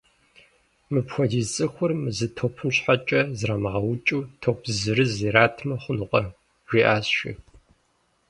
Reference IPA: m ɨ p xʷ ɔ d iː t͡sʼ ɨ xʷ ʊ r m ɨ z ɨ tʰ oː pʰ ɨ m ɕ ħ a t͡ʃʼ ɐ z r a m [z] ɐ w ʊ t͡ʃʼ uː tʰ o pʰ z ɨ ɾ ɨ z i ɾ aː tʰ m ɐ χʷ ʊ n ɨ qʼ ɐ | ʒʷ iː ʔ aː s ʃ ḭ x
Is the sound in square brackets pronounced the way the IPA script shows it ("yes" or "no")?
no